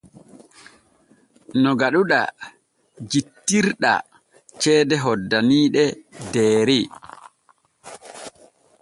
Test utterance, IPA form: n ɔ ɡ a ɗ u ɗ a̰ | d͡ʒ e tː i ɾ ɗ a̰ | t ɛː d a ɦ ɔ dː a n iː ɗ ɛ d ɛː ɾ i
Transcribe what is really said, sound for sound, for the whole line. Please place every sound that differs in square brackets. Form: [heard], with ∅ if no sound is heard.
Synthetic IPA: n ɔ ɡ a ɗ u ɗ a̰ | d͡ʒ [i] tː i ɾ ɗ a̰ | [t͡ʃ] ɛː d [ɛ] ɦ ɔ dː a n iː ɗ ɛ d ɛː ɾ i